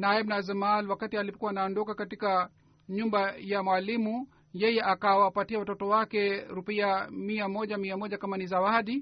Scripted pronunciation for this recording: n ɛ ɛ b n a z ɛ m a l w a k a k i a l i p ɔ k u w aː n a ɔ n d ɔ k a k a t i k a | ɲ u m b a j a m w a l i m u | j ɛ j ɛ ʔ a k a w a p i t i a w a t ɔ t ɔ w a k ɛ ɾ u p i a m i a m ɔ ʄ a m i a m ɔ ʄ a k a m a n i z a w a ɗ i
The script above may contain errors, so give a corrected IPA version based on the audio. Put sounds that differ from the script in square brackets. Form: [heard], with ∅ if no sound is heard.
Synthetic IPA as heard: n [a] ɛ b n a z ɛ m a l w a k a [t] i a l i p ɔ k u w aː n a ɔ n d ɔ k a k a t i k a | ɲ u m b a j a m w a l i m u | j ɛ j ɛ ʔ a k a w a p [a] t i a w a t ɔ t ɔ w a k ɛ ɾ u p i a m i a m ɔ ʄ a m i a m ɔ ʄ a k a m a n i z a w a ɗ i